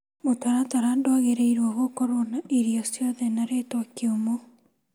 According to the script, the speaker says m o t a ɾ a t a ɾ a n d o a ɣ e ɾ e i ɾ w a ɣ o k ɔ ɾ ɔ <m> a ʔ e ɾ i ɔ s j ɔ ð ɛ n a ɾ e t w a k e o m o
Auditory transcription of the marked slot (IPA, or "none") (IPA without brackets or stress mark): n